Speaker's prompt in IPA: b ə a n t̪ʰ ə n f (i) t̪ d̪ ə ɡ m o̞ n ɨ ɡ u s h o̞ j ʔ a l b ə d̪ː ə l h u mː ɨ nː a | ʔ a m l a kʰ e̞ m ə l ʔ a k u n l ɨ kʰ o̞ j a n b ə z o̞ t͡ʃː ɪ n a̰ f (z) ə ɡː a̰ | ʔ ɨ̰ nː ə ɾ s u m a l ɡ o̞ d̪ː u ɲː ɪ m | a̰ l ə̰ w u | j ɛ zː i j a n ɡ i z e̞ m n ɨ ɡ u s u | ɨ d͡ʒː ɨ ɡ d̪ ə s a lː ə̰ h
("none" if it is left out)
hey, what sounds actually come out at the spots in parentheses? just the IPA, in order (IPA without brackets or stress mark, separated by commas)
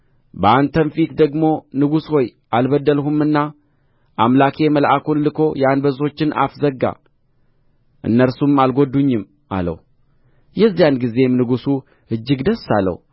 i, z